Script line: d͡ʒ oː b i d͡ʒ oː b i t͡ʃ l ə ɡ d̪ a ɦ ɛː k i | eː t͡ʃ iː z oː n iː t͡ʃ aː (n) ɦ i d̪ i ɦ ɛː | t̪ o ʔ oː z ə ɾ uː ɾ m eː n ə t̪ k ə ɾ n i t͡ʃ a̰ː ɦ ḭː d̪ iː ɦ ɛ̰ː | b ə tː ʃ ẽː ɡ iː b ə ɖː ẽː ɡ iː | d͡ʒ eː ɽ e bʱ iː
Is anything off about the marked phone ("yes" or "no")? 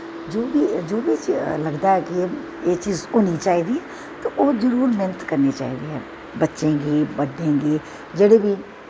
yes